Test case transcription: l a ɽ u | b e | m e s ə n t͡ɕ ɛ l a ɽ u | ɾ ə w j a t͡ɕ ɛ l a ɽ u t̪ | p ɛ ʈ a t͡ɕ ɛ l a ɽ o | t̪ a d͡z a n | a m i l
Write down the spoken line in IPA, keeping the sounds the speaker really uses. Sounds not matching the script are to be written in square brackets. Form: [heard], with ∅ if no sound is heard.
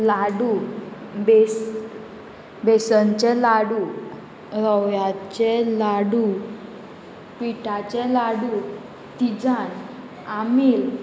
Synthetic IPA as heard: l a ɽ u | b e | [b] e s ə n t͡ɕ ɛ l a ɽ u | ɾ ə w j a t͡ɕ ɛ l a ɽ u [∅] | p [i] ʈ a t͡ɕ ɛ l a ɽ [u] | t̪ [i] d͡z a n | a m i l